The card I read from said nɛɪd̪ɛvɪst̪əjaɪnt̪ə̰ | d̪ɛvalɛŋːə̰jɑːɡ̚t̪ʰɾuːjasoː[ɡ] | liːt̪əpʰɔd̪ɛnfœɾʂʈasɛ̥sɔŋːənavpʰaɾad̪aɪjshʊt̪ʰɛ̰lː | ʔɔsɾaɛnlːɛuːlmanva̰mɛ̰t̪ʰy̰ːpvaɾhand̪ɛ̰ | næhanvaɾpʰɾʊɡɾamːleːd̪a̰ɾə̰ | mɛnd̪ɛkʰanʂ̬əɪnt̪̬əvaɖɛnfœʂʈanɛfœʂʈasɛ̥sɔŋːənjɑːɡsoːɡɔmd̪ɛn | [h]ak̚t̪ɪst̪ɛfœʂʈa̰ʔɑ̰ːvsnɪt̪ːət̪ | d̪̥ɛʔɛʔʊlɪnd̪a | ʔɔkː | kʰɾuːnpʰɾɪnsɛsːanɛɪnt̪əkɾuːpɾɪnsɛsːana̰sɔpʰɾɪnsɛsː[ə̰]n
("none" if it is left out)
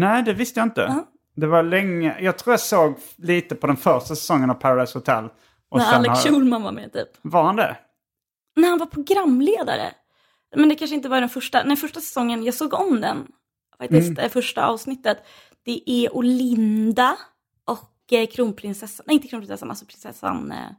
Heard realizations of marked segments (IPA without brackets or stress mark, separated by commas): ɡ, f, a̰